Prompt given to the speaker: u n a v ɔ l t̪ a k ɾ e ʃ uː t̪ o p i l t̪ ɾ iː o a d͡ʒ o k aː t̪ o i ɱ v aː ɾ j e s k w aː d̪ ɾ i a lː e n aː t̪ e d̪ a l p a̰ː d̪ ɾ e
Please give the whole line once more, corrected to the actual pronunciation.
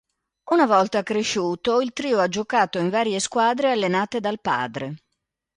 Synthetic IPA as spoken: u n a v ɔ l t̪ a k ɾ e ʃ uː t̪ o i l t̪ ɾ iː o a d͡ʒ o k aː t̪ o i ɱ v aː ɾ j e s k w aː d̪ ɾ e a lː e n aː t̪ e d̪ a l p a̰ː d̪ ɾ e